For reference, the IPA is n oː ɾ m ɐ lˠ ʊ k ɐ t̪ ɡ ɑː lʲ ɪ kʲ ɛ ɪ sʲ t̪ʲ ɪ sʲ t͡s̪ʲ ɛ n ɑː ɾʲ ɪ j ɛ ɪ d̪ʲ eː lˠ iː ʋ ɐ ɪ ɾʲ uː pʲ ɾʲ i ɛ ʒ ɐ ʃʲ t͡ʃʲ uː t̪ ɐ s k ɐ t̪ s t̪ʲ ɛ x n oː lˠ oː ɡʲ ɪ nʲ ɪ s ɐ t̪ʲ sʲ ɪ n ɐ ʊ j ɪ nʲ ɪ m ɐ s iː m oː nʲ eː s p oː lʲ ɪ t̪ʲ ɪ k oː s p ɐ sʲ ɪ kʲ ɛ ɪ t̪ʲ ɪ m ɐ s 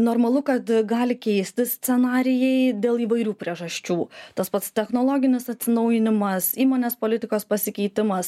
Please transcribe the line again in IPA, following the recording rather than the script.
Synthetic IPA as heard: n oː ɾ m ɐ lˠ ʊ k ɐ t̪ ɡ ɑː lʲ ɪ kʲ ɛ ɪ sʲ t̪ʲ ɪ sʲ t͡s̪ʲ ɛ n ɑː ɾʲ ɪ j ɛ ɪ d̪ʲ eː lˠ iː ʋ ɐ ɪ ɾʲ uː pʲ ɾʲ i ɛ ʒ ɐ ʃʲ t͡ʃʲ uː t̪ ɐ s p ɐ t̪ s t̪ʲ ɛ x n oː lˠ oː ɡʲ ɪ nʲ ɪ s ɐ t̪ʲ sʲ ɪ n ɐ ʊ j ɪ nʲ ɪ m ɐ s iː m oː nʲ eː s p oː lʲ ɪ t̪ʲ ɪ k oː s p ɐ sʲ ɪ kʲ ɛ ɪ t̪ʲ ɪ m ɐ s

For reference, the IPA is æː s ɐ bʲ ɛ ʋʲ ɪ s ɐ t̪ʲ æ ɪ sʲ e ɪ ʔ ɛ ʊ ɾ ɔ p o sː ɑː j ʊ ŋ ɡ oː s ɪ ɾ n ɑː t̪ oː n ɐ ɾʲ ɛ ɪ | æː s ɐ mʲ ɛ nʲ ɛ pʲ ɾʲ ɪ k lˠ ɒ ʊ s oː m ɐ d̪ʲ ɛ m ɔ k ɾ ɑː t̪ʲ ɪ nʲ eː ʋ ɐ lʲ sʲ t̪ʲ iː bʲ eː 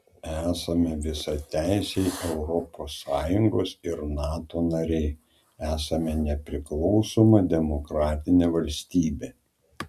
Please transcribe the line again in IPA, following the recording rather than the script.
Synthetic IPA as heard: æː s ɐ mʲ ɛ ʋʲ ɪ s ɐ t̪ʲ æ ɪ sʲ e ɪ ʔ ɛ ʊ ɾ ɔ p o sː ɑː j ʊ ŋ ɡ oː s ɪ ɾ n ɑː t̪ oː n ɐ ɾʲ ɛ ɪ | æː s ɐ mʲ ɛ nʲ ɛ pʲ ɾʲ ɪ k lˠ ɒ ʊ s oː m ɐ d̪ʲ ɛ m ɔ k ɾ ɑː t̪ʲ ɪ nʲ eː ʋ ɐ lʲ sʲ t̪ʲ iː bʲ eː

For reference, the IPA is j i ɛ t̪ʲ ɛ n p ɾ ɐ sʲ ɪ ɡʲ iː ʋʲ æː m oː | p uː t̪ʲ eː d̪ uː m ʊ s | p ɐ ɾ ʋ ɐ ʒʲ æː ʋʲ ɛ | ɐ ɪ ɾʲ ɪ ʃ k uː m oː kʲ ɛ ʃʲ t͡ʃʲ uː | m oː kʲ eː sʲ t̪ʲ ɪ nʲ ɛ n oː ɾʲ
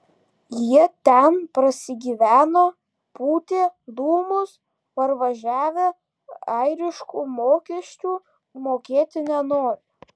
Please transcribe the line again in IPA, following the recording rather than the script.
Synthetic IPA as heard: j i ɛ t̪ʲ ɛ n p ɾ ɐ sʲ ɪ ɡʲ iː ʋʲ æː n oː | p uː t̪ʲ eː d̪ uː m ʊ s | p ɐ ɾ ʋ ɐ ʒʲ æː ʋʲ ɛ | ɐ ɪ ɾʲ ɪ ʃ k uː m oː kʲ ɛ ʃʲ t͡ʃʲ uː | m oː kʲ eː t̪ʲ ɪ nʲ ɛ n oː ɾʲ

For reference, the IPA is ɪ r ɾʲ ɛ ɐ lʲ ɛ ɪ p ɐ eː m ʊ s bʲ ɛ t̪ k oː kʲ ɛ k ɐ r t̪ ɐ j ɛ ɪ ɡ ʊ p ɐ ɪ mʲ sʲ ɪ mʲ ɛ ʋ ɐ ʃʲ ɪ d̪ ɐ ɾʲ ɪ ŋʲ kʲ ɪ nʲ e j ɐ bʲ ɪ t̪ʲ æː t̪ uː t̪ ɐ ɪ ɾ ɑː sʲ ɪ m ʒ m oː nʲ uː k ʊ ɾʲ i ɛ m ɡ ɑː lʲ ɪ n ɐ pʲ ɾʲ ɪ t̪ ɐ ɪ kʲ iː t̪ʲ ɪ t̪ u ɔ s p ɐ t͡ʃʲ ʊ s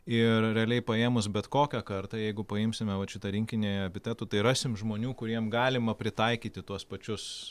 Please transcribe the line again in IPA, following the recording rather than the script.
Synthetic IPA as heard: ɪ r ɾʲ ɛ ɐ lʲ ɛ ɪ p ɐ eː m ʊ s bʲ ɛ t̪ k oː kʲ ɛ k ɐ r t̪ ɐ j ɛ ɪ ɡ ʊ p ɐ ɪ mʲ sʲ ɪ mʲ ɛ ʋ ɐ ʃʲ ɪ t̪ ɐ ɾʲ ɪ ŋʲ kʲ ɪ nʲ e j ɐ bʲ ɪ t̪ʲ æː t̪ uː t̪ ɐ ɪ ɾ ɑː sʲ ɪ m ʒ m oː nʲ uː k ʊ ɾʲ i ɛ m ɡ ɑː lʲ ɪ m ɐ pʲ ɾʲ ɪ t̪ ɐ ɪ kʲ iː t̪ʲ ɪ t̪ u ɔ s p ɐ t͡ʃʲ ʊ s

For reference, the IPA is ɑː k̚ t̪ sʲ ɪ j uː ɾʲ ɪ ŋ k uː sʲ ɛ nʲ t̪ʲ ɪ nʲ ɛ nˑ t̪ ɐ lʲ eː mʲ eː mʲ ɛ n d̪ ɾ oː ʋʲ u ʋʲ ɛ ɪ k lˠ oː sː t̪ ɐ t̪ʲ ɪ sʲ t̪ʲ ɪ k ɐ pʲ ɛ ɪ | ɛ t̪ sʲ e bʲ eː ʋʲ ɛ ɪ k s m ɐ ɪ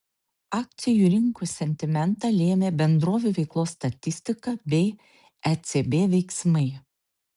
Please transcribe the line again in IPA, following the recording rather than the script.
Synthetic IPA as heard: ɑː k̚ t̪ sʲ ɪ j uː ɾʲ ɪ ŋ k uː sʲ ɛ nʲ t̪ʲ ɪ mʲ ɛ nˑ t̪ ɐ lʲ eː mʲ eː bʲ ɛ n d̪ ɾ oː ʋʲ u ʋʲ ɛ ɪ k lˠ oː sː t̪ ɐ t̪ʲ ɪ sʲ t̪ʲ ɪ k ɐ bʲ ɛ ɪ | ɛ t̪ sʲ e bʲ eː ʋʲ ɛ ɪ k s m ɐ ɪ

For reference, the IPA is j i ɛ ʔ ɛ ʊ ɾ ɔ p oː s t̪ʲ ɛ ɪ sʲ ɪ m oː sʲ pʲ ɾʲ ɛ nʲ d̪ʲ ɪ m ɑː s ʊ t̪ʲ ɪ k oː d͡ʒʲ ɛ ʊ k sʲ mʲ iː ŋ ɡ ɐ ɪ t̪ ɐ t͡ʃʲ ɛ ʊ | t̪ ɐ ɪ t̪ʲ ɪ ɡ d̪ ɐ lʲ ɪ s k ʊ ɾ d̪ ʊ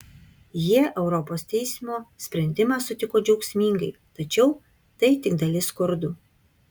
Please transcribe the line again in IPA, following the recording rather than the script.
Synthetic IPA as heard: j i ɛ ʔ ɛ ʊ ɾ ɔ p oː s t̪ʲ ɛ ɪ sʲ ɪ m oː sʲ pʲ ɾʲ ɛ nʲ d̪ʲ ɪ m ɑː s ʊ t̪ʲ ɪ k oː d͡ʒʲ ɛ ʊ k sʲ mʲ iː ŋ ɡ ɐ ɪ t̪ ɐ t͡ʃʲ ɛ ʊ | t̪ ɐ ɪ t̪ʲ ɪ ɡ d̪ ɐ lʲ ɪ s k ʊ ɾ d̪ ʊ

